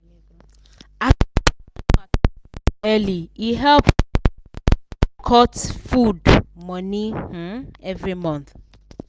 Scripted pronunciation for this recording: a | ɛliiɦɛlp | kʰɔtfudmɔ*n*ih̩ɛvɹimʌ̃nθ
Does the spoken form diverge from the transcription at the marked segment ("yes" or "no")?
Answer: no